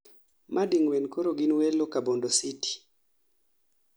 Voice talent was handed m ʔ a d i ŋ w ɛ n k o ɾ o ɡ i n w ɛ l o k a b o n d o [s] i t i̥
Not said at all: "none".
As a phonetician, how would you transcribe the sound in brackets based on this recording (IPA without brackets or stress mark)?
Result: s